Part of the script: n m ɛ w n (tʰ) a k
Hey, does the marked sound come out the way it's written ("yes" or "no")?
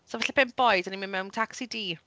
yes